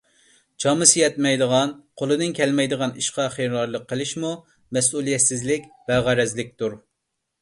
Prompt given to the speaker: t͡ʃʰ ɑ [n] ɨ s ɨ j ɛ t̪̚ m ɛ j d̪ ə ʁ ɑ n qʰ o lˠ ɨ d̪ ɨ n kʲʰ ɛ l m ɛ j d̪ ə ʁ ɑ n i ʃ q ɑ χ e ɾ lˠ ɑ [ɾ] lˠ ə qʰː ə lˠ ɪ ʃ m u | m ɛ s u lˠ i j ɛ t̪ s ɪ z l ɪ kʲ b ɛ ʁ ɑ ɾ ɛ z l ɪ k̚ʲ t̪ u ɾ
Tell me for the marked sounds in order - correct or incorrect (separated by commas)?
incorrect, correct